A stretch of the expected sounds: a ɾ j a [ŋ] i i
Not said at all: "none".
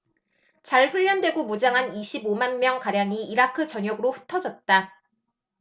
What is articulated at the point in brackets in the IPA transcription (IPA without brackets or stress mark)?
ŋ